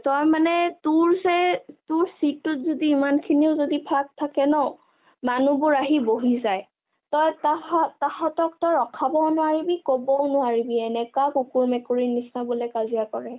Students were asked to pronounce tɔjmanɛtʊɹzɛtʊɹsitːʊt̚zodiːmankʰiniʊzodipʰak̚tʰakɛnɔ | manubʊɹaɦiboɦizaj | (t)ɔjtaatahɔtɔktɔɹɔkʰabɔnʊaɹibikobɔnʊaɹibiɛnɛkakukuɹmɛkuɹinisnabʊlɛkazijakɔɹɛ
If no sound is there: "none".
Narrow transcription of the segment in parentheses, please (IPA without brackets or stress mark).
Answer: t